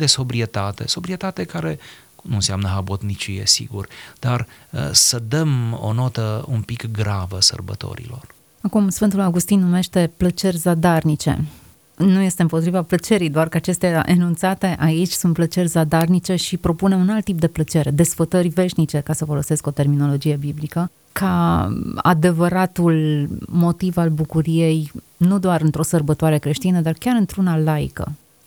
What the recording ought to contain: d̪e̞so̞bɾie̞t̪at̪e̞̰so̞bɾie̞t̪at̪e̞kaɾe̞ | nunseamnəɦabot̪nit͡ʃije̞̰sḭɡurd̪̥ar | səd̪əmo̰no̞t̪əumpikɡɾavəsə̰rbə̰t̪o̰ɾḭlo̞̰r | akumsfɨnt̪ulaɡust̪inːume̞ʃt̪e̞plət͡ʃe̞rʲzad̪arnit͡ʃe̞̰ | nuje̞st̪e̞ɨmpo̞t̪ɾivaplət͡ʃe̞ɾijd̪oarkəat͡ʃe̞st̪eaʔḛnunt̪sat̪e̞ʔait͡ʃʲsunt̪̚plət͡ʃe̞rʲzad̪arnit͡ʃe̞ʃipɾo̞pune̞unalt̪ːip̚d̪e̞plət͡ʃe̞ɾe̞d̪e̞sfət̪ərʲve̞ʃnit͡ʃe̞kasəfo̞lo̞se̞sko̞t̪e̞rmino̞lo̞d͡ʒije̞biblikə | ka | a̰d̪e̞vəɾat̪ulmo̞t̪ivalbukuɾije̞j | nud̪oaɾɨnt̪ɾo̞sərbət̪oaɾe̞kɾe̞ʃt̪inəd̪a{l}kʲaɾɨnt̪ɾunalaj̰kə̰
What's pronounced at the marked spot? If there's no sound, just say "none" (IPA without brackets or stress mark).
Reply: r